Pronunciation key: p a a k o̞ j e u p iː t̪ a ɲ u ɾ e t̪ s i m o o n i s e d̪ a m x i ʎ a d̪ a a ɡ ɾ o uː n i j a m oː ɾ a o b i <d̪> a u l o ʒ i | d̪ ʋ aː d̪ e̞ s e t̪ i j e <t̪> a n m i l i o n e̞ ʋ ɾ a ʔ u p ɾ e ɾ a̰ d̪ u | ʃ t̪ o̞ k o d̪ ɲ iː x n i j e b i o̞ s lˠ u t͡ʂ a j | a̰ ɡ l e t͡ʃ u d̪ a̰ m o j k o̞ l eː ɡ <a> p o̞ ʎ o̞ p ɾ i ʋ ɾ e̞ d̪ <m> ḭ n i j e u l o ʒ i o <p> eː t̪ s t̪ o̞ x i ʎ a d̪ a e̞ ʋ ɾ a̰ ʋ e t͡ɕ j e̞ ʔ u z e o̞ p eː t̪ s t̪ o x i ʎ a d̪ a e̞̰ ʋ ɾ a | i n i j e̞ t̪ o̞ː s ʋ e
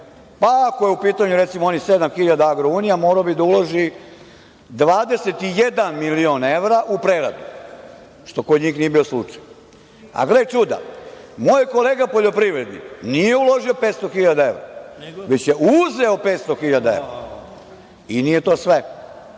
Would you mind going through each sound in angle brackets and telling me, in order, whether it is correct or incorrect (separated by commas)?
correct, incorrect, correct, incorrect, correct